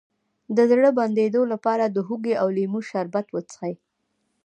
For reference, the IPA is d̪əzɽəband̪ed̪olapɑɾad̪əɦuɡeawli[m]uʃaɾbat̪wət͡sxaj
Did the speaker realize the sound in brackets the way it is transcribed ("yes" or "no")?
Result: yes